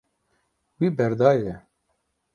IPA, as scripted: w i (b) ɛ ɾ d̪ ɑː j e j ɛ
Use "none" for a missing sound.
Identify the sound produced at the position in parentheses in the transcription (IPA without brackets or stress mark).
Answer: b